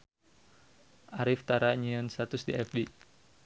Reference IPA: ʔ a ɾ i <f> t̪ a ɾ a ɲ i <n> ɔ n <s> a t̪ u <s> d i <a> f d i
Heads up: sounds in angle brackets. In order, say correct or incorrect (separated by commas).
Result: correct, incorrect, correct, correct, incorrect